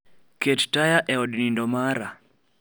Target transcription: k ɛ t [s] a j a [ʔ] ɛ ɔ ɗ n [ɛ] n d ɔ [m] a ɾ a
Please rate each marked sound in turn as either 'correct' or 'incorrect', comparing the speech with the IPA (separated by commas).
incorrect, correct, incorrect, correct